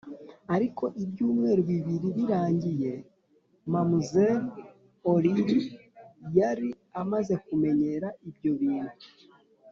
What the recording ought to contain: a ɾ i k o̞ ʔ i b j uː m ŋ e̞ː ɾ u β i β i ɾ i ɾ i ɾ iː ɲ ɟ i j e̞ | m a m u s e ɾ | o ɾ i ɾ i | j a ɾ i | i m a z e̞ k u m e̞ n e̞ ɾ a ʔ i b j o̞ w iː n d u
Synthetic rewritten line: a ɾ i k o̞ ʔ i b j uː m ŋ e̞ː ɾ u β i β i ɾ i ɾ i ɾ aː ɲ ɟ i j e̞ | m a m u z e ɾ | o ɾ i ɾ i | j a ɾ i | a m a z e̞ k u m e̞ ɲ e̞ ɾ a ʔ i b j o̞ β iː n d u